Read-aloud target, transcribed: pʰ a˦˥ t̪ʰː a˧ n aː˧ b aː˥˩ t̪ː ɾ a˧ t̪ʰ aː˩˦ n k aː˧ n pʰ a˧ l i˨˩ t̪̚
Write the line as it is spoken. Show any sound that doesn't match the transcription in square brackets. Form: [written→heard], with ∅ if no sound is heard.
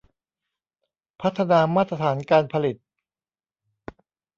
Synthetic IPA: pʰ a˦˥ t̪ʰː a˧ n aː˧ [b→m] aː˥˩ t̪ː ɾ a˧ t̪ʰ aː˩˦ n k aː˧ n pʰ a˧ l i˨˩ t̪̚